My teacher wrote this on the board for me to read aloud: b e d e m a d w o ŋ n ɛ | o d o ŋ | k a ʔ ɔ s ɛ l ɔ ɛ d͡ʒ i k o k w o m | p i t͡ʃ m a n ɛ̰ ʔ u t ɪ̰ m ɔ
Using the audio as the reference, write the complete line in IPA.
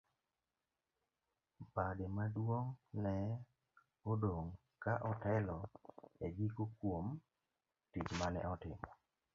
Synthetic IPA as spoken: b a d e m a d w o ŋ n ɛ | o d o ŋ | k a ʔ ɔ t ɛ l ɔ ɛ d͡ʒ i k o k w o m | t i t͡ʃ m a n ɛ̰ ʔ ɔ t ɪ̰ m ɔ